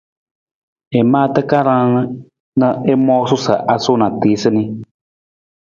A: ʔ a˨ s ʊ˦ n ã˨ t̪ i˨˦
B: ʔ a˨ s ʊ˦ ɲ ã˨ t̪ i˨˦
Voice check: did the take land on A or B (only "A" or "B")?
A